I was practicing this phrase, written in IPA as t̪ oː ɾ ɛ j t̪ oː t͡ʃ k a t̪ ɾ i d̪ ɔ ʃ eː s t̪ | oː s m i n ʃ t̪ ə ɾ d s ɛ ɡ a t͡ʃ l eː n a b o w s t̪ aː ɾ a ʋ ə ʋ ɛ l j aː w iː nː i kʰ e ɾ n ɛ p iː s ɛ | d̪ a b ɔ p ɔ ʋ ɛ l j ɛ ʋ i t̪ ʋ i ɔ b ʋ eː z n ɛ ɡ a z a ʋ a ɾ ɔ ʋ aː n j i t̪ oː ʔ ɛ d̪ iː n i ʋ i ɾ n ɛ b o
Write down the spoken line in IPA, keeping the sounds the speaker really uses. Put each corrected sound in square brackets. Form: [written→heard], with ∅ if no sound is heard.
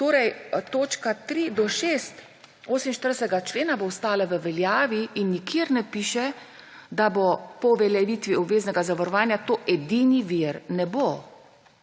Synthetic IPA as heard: t̪ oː ɾ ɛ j t̪ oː t͡ʃ k a t̪ ɾ i d̪ ɔ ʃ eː s t̪ | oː s m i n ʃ t̪ ə ɾ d s ɛ ɡ a t͡ʃ l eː n a b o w s t̪ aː [ɾ→l] a ʋ ə ʋ ɛ l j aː [w→ʋ] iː nː i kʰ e ɾ n ɛ p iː [s→ʃ] ɛ | d̪ a b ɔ p ɔ ʋ ɛ l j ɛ ʋ i t̪ ʋ i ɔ b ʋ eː z n ɛ ɡ a z a ʋ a ɾ ɔ ʋ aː n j [i→a] t̪ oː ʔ ɛ d̪ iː n i ʋ i ɾ n ɛ b o